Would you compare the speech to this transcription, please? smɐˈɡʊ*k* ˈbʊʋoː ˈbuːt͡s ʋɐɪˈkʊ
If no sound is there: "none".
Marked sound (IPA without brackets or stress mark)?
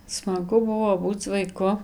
none